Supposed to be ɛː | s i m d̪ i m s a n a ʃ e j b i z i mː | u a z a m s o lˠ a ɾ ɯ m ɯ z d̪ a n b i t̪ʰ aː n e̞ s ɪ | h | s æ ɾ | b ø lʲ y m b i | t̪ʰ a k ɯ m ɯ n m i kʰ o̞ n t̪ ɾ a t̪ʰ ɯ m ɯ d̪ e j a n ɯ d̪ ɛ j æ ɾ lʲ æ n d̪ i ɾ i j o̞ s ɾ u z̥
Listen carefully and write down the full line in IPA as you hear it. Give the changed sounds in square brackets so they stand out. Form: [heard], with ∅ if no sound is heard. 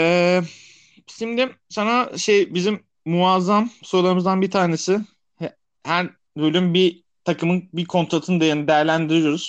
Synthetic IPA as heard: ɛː | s i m d̪ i m s a n a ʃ e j b i z i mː | u a z a m s o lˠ a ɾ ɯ m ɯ z d̪ a n b i t̪ʰ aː n e̞ s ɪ | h | [h] æ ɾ | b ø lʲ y m b i | t̪ʰ a k ɯ m ɯ n [b] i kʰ o̞ n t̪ ɾ a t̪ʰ ɯ [n] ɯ d̪ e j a n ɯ d̪ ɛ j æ ɾ lʲ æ n d̪ i ɾ i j o̞ [∅] ɾ u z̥